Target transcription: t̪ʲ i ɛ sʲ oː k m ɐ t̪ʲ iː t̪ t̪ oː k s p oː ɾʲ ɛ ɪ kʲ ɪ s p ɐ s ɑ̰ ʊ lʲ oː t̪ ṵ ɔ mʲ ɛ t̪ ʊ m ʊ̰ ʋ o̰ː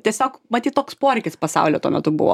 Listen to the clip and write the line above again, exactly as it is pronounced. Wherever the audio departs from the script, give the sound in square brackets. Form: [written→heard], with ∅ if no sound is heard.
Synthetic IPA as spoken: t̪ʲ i ɛ sʲ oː k m ɐ t̪ʲ iː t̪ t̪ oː k s p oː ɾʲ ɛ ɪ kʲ ɪ s p ɐ s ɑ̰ ʊ lʲ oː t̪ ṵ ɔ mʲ ɛ t̪ ʊ [m→b] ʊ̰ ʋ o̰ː